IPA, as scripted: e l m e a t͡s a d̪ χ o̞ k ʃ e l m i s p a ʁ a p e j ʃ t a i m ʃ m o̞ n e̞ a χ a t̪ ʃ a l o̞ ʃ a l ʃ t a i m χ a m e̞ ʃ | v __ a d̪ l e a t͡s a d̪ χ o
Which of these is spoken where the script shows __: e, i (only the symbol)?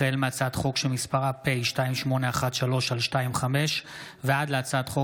e